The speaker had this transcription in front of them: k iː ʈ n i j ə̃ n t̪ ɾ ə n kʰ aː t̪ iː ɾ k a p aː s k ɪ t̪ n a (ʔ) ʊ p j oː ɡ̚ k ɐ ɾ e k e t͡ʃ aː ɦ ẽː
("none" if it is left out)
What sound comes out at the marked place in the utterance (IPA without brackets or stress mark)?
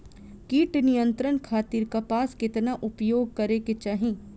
ʔ